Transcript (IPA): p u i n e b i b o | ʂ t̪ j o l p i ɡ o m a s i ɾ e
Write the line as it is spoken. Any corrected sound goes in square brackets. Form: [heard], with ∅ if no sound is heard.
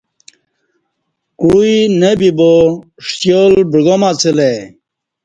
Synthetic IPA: [k] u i n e b i b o | ʂ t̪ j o l [b] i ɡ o m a [t͡s] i [l] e